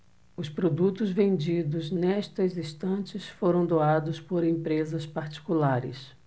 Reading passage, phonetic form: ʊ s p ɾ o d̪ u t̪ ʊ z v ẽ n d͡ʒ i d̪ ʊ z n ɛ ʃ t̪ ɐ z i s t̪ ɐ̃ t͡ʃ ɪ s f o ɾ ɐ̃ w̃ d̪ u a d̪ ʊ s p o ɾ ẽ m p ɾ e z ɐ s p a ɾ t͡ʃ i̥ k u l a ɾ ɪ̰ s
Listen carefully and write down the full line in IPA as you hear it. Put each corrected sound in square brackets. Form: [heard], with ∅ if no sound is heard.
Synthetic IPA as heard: ʊ s p ɾ o d̪ u t̪ ʊ z v ẽ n d͡ʒ i d̪ ʊ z n ɛ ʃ t̪ ɐ z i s t̪ ɐ̃ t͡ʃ ɪ s f o ɾ ɐ̃ w̃ d̪ [o] a d̪ ʊ s p o ɾ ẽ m p ɾ e z ɐ s p a ɾ t͡ʃ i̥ k u l a ɾ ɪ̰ s